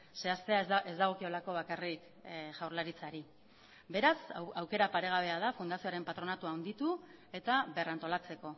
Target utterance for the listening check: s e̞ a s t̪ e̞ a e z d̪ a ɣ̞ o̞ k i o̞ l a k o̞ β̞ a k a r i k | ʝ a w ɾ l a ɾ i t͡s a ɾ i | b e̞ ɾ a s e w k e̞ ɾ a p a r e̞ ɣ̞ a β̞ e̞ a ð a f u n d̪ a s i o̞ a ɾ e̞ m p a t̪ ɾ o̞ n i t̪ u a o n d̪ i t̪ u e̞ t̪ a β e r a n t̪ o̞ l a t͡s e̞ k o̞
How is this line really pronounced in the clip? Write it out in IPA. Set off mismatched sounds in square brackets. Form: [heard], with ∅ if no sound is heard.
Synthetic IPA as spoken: s e̞ a s t̪ e̞ a e z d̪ a ɣ̞ o̞ k i o̞ l a k o̞ β̞ a k a r i k | ʝ a w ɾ l a ɾ i t͡s a ɾ i | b e̞ ɾ a s [a] w k e̞ ɾ a p a [ɾ] e̞ ɣ̞ a β̞ e̞ a ð a f u n d̪ a s i o̞ a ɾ e̞ m p a t̪ ɾ o̞ n [a] t̪ u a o n d̪ i t̪ u e̞ t̪ a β e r a n t̪ o̞ l a t͡s e̞ k o̞